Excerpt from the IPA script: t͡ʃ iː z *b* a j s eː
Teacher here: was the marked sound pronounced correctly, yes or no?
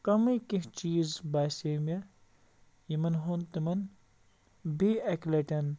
yes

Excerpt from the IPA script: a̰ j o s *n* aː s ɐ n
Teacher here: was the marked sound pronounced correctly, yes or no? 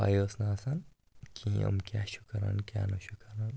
yes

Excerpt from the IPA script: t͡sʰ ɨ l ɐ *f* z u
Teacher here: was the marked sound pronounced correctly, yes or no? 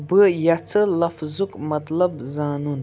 yes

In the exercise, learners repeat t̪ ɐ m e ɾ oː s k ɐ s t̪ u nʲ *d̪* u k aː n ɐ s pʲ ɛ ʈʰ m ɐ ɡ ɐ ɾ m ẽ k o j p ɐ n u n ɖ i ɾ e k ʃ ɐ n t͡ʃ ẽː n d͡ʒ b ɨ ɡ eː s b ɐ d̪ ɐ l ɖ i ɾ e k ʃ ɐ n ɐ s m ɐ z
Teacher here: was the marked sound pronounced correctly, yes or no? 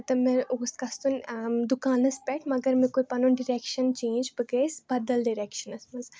yes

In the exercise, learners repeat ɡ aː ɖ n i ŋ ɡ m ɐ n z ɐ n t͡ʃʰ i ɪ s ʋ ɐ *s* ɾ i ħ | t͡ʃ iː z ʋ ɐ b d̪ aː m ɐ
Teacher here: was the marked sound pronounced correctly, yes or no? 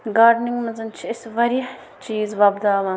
no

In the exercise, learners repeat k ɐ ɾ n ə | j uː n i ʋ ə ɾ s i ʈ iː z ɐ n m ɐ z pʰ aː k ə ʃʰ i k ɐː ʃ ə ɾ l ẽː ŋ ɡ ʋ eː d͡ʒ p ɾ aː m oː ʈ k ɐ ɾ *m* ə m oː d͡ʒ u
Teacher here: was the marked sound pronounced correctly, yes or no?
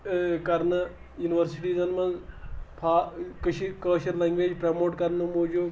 no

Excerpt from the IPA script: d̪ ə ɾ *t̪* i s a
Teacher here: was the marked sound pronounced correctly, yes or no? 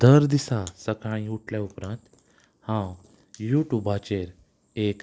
no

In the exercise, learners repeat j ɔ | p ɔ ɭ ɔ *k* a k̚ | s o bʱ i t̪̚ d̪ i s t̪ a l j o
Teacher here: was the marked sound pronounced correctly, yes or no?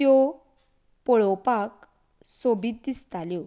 no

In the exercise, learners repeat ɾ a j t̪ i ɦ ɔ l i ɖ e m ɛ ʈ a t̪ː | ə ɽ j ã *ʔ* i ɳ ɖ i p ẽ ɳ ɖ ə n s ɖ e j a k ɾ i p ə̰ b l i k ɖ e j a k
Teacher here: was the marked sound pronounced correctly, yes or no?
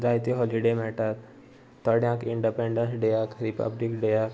no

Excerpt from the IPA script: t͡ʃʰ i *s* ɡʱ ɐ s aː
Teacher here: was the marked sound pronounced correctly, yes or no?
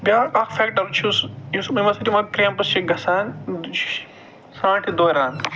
no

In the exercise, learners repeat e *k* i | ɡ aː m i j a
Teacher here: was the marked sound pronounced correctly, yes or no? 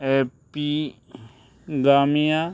no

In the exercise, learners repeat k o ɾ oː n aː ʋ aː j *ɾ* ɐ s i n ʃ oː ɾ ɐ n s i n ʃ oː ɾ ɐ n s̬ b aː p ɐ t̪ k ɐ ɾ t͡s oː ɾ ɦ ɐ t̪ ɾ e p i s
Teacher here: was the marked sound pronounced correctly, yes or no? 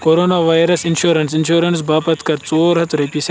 yes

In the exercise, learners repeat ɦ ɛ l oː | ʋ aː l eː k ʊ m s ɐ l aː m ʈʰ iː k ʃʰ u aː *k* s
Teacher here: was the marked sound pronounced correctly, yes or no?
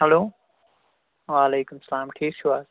no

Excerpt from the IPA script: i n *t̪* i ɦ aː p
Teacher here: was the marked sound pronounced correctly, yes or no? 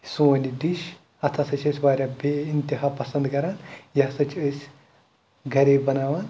yes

